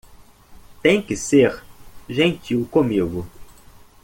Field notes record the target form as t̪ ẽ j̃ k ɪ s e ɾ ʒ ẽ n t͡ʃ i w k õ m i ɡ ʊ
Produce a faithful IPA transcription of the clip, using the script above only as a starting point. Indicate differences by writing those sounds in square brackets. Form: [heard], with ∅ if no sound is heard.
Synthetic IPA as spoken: t̪ ẽ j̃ k ɪ s e ɾ ʒ ẽ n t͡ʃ i w k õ m i ɡ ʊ